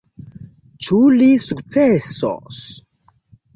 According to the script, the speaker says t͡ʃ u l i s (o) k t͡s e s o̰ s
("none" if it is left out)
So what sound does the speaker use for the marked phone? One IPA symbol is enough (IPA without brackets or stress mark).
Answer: u